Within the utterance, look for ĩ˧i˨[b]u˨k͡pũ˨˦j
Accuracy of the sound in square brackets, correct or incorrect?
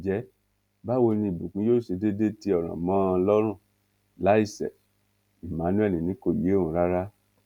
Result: correct